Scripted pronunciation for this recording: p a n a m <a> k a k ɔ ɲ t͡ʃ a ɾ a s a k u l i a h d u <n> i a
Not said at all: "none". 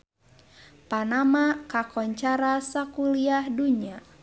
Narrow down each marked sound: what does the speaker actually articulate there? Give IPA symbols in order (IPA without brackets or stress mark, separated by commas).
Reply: a, ɲ